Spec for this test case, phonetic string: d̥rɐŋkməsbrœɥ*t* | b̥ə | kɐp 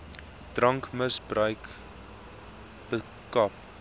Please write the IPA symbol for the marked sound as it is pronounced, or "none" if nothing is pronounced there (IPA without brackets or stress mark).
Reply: k